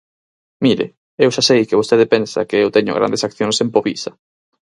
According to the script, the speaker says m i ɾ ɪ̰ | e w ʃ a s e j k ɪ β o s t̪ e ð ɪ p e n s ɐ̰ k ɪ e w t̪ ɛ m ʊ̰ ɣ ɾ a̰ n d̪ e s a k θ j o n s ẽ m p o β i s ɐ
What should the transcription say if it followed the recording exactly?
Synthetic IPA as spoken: m i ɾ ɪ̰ | e w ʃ a s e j k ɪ β o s t̪ e ð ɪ p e n s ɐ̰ k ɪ e w t̪ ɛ ɲ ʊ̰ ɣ ɾ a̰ n d̪ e s a k θ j o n s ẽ m p o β i s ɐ